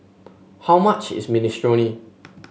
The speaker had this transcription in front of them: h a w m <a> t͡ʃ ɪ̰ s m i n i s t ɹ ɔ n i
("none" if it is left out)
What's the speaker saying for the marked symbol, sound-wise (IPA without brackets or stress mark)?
a